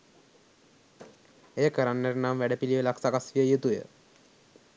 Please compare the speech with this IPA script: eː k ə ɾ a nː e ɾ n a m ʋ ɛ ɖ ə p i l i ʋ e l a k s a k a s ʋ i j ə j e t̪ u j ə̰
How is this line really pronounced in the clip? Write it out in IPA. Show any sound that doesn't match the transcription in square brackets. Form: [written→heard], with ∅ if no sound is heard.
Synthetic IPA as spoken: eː k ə ɾ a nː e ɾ n a m ʋ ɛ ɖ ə p i l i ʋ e l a k s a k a s ʋ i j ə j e t̪ u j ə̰